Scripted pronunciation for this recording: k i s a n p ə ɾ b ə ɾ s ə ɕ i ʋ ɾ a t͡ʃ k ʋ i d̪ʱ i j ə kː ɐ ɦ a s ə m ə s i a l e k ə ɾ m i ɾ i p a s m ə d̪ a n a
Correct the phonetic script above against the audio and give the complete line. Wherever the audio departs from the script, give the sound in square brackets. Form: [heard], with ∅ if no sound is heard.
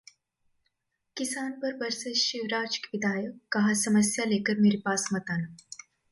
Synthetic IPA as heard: k i s a n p ə ɾ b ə ɾ s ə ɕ i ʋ ɾ a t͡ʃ k ʋ i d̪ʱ [a] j ə kː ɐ ɦ a s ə m ə s [j] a l e k ə ɾ m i ɾ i p a s m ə [t̪] a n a